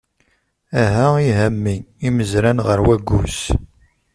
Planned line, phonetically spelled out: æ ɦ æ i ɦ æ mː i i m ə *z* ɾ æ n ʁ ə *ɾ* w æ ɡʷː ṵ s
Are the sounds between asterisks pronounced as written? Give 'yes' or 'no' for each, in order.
yes, yes

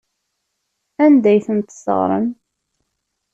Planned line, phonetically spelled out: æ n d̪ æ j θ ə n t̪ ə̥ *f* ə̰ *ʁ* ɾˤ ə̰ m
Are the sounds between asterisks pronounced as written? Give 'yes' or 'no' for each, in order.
no, yes

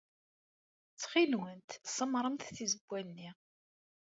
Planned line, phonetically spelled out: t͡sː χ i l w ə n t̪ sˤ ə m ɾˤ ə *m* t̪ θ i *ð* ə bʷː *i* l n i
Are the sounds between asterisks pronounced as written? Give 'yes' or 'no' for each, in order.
yes, no, no

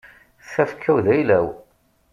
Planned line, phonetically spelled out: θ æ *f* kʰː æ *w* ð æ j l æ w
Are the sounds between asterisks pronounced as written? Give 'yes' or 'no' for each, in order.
yes, yes

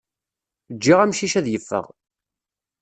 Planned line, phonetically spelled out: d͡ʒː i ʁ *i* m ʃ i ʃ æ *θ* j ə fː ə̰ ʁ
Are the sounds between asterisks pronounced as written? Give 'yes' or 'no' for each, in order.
no, no

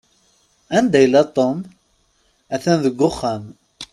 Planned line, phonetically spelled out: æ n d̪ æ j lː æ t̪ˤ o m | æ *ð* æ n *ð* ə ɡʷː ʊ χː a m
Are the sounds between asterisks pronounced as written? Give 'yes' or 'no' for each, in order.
no, yes

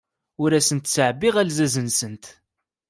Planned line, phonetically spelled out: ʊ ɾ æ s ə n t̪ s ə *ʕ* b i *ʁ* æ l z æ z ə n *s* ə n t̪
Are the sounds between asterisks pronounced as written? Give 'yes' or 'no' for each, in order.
yes, yes, yes

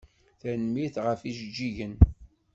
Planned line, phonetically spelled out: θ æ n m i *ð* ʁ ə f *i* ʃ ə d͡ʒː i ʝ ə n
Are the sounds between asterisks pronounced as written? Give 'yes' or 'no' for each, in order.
no, yes

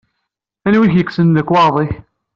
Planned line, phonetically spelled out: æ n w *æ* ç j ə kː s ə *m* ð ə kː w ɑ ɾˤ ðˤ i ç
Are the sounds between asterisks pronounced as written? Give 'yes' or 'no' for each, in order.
no, no

